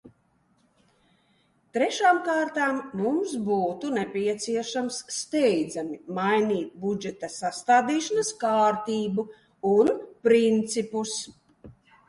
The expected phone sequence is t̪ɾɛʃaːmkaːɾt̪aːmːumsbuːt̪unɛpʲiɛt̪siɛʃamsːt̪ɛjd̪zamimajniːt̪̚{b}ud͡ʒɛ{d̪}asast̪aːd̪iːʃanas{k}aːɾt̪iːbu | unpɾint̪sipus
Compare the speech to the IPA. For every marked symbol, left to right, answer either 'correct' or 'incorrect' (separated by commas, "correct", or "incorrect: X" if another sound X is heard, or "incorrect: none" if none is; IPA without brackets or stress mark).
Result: correct, incorrect: t̪, correct